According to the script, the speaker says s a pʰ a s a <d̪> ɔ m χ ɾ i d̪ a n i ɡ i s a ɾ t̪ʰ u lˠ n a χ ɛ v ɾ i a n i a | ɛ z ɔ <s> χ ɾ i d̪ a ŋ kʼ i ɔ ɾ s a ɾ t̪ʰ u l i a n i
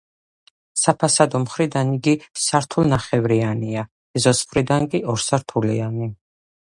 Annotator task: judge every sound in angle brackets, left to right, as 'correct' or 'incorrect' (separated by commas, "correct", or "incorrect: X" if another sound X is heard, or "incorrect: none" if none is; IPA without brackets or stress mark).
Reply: correct, correct